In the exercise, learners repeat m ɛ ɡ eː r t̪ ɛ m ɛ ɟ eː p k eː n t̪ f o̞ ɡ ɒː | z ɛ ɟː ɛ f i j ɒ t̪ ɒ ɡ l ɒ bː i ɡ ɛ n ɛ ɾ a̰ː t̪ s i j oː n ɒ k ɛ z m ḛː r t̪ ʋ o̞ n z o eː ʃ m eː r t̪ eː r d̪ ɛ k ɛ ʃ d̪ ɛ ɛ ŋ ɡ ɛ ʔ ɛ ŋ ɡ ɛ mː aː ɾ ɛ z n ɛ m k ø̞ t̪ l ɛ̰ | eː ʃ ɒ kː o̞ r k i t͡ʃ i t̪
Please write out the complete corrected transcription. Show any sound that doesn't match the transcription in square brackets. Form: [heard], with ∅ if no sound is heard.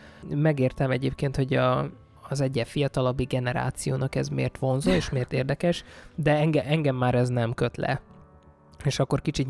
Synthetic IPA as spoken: m ɛ ɡ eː r t̪ ɛ m ɛ ɟ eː p k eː n t̪ [h] o̞ [ɟ] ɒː | z ɛ ɟː ɛ f i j ɒ t̪ ɒ [∅] l ɒ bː i ɡ ɛ n ɛ ɾ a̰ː t̪ s i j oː n ɒ k ɛ z m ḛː r t̪ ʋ o̞ n z o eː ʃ m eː r t̪ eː r d̪ ɛ k ɛ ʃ d̪ ɛ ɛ ŋ ɡ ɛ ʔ ɛ ŋ ɡ ɛ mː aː ɾ ɛ z n ɛ m k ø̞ t̪ l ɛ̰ | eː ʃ ɒ kː o̞ r k i t͡ʃ i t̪